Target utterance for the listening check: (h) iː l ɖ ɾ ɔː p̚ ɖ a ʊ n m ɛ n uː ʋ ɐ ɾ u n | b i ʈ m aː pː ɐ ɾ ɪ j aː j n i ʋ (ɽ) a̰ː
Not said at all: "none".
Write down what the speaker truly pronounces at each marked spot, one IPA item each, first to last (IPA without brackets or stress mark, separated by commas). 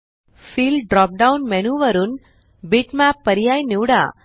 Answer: f, ɽ